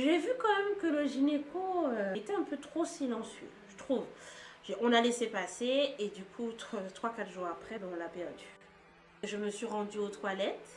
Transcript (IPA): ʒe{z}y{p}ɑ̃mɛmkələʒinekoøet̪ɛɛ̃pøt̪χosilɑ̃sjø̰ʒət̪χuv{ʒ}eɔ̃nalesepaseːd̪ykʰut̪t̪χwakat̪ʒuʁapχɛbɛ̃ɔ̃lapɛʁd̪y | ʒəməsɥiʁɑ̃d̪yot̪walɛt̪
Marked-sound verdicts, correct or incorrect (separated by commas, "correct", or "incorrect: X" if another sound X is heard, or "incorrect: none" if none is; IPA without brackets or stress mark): incorrect: v, incorrect: k, correct